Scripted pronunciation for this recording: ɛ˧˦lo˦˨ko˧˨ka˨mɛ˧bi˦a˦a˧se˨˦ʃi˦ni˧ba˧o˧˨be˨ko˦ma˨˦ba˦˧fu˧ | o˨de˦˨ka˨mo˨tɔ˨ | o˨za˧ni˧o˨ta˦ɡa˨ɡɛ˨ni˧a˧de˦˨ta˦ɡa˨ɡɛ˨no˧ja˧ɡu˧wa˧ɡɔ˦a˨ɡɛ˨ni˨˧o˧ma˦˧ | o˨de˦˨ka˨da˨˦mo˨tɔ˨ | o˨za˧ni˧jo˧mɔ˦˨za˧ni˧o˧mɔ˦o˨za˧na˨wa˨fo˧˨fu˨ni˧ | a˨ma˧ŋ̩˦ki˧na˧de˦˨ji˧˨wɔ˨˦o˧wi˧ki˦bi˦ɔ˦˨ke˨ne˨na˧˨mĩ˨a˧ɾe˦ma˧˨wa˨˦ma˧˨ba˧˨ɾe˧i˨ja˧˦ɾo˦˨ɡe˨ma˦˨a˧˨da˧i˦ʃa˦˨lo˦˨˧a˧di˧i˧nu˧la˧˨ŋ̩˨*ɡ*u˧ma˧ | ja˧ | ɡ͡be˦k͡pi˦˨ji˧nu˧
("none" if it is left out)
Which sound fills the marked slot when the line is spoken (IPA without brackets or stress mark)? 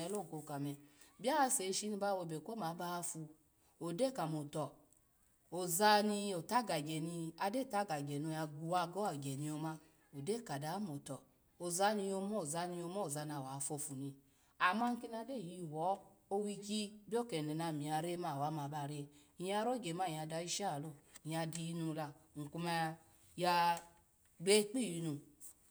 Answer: k